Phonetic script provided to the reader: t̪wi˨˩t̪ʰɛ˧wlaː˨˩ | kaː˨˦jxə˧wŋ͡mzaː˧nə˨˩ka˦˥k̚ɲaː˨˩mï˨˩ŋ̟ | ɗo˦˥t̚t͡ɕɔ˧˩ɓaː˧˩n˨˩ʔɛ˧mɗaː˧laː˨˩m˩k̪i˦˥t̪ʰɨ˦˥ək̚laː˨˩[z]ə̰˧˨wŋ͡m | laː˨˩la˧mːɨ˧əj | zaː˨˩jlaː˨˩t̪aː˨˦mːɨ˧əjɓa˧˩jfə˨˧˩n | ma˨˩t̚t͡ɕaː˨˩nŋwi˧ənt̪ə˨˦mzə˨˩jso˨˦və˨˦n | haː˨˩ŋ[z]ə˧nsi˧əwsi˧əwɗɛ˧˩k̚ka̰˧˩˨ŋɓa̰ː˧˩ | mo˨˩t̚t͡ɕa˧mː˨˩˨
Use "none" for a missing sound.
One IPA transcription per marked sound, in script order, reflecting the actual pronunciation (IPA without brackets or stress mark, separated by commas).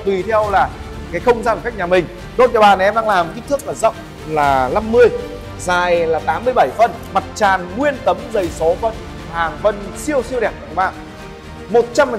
z, v